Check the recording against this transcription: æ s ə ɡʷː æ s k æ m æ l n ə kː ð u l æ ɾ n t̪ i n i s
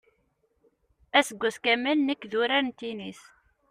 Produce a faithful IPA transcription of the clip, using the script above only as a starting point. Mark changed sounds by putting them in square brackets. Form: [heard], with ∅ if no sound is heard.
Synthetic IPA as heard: æ s ə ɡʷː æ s k æ m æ l n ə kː ð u [ɾ] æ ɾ n t̪ i n i s